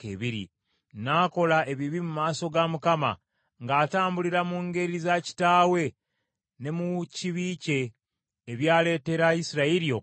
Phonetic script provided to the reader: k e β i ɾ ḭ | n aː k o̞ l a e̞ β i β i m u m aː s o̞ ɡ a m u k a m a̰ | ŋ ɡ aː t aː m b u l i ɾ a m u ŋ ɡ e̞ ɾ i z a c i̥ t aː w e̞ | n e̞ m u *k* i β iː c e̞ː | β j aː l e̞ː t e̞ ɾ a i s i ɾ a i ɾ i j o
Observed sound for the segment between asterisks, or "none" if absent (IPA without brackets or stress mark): c